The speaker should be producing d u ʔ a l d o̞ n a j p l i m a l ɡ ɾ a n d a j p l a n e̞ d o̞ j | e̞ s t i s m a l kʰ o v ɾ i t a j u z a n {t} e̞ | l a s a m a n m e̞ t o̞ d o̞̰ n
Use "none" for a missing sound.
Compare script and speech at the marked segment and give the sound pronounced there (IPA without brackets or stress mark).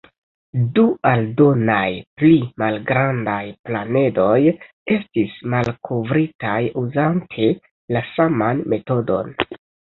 tʰ